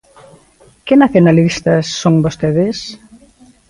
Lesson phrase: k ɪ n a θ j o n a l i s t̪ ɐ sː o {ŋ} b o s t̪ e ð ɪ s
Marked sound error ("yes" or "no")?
no